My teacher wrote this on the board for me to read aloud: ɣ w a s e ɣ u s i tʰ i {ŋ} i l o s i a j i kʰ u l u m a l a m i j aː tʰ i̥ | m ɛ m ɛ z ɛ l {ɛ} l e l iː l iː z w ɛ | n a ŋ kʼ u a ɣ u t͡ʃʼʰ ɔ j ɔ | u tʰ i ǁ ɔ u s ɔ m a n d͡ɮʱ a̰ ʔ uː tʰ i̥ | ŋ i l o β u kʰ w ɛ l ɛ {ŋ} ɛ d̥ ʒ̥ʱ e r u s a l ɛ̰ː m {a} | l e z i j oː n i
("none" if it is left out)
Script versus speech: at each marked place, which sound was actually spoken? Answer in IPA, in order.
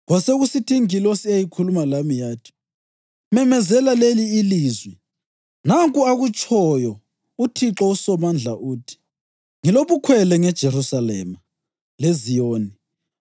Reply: ŋ, a, ŋ, a

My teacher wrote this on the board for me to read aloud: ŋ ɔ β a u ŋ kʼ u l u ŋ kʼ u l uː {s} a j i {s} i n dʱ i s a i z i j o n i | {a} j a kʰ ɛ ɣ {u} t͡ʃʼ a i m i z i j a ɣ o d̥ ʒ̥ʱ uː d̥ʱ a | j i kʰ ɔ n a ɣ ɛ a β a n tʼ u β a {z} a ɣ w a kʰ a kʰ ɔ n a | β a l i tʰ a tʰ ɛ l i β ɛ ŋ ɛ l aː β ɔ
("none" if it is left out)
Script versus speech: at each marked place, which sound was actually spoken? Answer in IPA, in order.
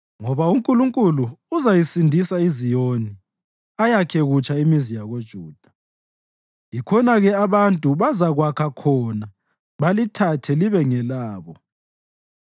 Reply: z, s, a, u, z

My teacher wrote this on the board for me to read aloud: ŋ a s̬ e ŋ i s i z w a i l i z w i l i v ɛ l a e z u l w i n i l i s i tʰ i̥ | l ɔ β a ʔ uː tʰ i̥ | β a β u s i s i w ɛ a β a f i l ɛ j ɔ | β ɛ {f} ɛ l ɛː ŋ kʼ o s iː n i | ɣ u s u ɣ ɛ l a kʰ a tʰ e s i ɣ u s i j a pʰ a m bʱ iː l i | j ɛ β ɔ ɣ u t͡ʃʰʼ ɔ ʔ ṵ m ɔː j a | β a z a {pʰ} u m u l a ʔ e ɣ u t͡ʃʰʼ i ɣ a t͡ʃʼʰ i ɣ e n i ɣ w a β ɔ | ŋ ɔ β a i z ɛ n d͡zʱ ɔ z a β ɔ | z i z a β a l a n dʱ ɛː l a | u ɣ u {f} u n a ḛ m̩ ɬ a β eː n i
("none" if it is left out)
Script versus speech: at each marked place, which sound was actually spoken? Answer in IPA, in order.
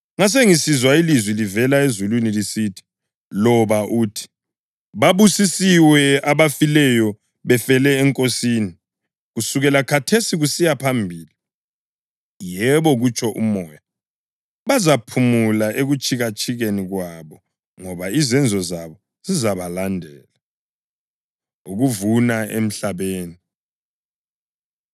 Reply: f, pʰ, v

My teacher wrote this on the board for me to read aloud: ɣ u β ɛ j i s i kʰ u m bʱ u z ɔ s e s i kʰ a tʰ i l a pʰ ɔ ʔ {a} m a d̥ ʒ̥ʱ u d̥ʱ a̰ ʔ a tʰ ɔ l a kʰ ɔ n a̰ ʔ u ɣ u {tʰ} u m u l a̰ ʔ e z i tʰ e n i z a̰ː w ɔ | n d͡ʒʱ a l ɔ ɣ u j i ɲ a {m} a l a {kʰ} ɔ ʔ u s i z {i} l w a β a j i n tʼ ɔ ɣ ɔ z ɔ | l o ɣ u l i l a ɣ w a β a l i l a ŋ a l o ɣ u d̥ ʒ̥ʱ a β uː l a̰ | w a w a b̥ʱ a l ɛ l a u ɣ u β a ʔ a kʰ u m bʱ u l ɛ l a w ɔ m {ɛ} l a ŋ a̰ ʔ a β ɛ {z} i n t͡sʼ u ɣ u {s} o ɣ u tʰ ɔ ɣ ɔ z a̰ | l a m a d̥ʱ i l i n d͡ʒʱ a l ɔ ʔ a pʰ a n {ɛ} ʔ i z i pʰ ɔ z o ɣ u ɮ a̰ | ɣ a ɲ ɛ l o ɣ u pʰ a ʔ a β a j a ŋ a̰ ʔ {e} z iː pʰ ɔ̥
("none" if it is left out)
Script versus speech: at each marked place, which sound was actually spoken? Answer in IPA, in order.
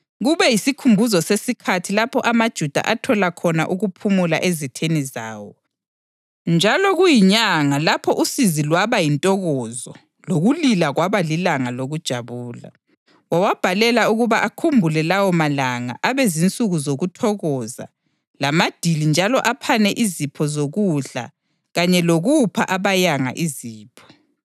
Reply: a, pʰ, ŋ, pʰ, i, a, z, z, ɛ, i

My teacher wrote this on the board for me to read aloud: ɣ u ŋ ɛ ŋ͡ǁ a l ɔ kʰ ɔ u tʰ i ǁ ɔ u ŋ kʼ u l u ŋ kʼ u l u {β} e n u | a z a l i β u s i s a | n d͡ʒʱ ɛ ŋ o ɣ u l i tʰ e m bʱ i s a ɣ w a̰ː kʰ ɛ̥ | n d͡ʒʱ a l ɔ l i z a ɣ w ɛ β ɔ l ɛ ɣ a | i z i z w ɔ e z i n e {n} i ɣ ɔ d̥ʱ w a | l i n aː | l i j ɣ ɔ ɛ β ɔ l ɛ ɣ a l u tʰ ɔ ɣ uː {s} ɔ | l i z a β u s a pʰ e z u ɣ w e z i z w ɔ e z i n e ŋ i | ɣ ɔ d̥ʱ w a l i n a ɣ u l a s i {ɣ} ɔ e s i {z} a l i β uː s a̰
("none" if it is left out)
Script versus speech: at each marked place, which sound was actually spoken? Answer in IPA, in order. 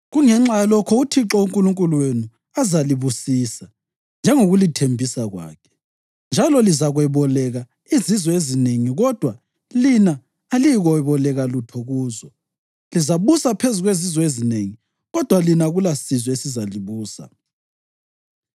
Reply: w, ŋ, z, z, z

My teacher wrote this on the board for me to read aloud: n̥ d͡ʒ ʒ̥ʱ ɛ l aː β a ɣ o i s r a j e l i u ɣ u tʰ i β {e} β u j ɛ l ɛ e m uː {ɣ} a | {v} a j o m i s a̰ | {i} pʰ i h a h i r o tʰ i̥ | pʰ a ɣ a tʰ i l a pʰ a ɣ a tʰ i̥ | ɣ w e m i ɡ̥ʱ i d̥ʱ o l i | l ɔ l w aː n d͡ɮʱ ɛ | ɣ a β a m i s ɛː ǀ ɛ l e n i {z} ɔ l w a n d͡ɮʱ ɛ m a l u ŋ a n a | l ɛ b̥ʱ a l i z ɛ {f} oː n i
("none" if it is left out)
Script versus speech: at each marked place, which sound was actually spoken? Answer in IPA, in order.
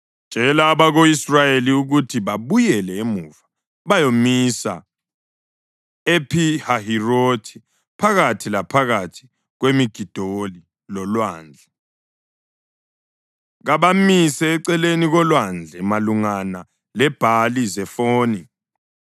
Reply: a, v, β, e, ɣ, f

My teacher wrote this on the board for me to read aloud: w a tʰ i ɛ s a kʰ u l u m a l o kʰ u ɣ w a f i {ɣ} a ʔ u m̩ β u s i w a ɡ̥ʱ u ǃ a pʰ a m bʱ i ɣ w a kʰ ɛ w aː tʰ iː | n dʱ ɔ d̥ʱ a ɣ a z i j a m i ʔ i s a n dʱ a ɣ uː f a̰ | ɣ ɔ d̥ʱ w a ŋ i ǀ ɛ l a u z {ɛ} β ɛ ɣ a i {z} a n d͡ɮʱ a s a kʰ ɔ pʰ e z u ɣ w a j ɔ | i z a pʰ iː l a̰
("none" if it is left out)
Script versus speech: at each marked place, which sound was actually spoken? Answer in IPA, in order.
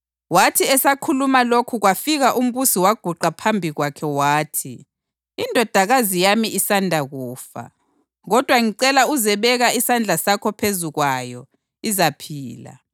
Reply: ɣ, ɛ, s

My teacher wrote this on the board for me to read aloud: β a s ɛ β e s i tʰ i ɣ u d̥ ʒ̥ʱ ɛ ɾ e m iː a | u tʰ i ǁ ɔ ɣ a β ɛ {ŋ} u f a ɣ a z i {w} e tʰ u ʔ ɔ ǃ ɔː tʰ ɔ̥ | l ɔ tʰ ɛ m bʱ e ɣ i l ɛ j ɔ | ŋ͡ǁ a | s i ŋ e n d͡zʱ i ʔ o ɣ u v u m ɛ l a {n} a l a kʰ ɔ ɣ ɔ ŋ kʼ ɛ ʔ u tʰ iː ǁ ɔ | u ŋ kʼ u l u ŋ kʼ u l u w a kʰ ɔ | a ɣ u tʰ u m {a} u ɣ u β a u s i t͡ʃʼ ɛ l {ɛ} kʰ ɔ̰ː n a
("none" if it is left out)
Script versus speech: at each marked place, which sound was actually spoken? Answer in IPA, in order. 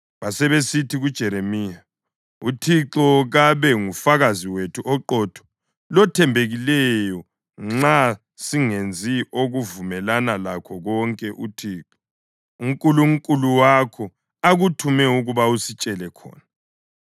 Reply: ŋ, w, n, ɛ, ɛ

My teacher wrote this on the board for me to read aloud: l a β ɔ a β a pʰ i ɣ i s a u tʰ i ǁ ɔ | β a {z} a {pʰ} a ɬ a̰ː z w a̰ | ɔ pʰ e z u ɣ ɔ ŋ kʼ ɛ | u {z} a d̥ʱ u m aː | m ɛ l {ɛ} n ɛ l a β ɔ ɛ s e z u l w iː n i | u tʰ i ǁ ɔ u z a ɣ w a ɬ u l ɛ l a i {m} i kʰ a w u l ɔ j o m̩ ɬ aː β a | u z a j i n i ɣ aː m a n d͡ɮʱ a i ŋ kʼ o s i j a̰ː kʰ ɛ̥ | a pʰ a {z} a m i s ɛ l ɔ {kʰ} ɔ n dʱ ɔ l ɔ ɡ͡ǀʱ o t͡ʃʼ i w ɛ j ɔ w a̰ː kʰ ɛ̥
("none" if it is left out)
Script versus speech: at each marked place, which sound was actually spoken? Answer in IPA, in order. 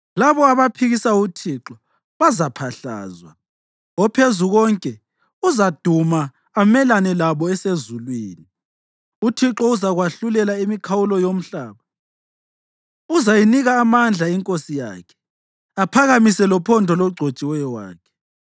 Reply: z, pʰ, z, a, m, ɣ, pʰ

